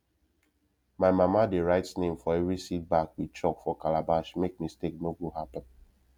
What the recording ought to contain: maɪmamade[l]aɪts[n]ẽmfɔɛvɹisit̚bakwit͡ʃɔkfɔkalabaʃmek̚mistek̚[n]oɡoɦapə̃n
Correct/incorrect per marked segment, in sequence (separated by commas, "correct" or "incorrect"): incorrect, correct, correct